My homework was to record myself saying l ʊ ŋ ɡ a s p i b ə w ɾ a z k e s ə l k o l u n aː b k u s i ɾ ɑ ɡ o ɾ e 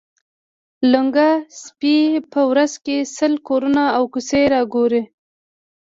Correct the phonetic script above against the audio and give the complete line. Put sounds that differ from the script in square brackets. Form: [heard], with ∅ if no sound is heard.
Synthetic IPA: l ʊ ŋ ɡ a s p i [p] ə w ɾ a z k e s ə l k o [ɾ] u n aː [w] k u s [e] ɾ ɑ ɡ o ɾ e